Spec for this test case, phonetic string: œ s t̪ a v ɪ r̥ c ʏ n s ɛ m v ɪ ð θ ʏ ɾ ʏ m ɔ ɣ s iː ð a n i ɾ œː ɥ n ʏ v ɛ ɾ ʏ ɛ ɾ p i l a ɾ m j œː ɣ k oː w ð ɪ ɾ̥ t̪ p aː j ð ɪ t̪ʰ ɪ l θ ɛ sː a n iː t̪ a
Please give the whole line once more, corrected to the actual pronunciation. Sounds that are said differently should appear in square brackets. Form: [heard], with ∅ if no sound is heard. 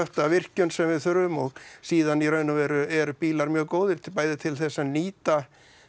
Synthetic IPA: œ [h] t̪ a v ɪ r̥ c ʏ n s ɛ m v ɪ ð θ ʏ ɾ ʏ m ɔ ɣ s iː ð a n i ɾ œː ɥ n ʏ v ɛ ɾ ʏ ɛ ɾ p [iː] l a ɾ m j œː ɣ k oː w ð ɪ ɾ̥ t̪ p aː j ð ɪ t̪ʰ ɪ l θ ɛ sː a n iː t̪ a